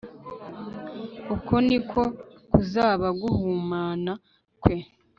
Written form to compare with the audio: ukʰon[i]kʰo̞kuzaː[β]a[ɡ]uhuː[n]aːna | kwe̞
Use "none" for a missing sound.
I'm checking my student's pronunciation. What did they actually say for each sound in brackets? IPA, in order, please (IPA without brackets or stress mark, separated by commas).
i, β, ɡ, m